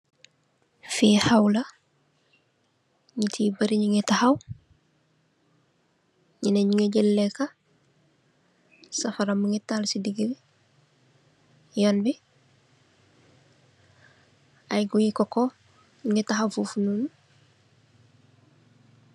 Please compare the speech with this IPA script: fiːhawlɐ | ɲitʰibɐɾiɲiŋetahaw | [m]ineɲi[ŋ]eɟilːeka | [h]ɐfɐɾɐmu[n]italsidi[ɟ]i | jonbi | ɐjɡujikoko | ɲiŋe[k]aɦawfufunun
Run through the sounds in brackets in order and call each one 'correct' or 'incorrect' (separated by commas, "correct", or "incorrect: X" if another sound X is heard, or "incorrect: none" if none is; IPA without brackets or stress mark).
incorrect: ɲ, correct, incorrect: s, incorrect: ŋ, incorrect: ɡ, incorrect: t